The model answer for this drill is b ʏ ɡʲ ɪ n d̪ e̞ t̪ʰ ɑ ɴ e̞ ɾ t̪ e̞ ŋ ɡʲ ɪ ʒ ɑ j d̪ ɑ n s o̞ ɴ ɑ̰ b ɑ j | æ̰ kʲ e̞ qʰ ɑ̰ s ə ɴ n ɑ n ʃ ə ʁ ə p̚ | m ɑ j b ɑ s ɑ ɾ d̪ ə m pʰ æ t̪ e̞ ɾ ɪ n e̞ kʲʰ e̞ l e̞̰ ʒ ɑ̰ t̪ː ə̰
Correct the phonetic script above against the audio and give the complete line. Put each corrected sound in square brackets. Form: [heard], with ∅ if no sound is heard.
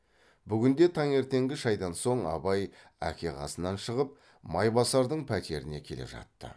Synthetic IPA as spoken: b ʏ ɡʲ ɪ n d̪ e̞ t̪ʰ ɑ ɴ e̞ ɾ t̪ e̞ ŋ ɡʲ ɪ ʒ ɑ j d̪ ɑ n s o̞ ɴ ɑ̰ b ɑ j | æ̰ kʲ e̞ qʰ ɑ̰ s ə [∅] n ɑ n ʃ ə ʁ ə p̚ | m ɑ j b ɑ s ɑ ɾ d̪ ə [ɴ] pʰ æ t̪ e̞ ɾ ɪ n e̞ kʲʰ e̞ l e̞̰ ʒ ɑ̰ t̪ː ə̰